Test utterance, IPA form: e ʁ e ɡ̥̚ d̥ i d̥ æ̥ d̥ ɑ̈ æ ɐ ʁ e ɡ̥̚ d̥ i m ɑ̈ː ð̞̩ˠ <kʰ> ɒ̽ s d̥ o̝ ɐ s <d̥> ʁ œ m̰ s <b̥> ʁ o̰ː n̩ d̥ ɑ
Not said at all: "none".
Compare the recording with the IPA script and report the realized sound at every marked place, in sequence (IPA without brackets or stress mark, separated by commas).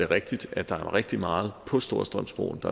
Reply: pʰ, d̥, b̥